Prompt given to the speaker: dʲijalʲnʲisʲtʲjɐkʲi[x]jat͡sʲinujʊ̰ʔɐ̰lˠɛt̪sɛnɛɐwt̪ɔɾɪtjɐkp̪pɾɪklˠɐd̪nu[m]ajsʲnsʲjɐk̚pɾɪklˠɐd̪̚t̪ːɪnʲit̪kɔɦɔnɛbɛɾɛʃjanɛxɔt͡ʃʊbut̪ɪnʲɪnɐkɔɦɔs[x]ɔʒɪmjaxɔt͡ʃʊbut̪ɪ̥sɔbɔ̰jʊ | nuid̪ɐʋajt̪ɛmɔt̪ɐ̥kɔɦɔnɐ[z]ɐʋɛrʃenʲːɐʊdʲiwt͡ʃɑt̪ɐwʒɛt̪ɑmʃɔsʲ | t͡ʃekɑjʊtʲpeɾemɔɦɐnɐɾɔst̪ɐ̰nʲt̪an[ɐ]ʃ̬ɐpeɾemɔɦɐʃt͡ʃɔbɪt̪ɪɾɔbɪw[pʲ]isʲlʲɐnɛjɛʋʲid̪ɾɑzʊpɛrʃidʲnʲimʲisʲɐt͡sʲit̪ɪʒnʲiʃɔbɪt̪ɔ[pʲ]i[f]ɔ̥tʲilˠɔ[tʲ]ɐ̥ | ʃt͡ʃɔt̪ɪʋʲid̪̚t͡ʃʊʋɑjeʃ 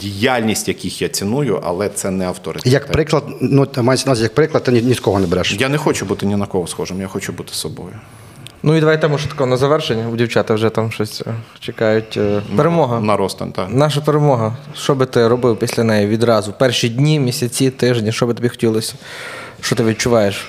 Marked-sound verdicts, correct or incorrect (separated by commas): correct, correct, correct, correct, incorrect, correct, incorrect, incorrect, incorrect